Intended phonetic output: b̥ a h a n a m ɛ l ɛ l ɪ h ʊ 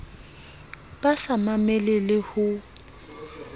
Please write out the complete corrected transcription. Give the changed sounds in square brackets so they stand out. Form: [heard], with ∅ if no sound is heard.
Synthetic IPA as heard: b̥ a [s] a [m] a m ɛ l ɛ l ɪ h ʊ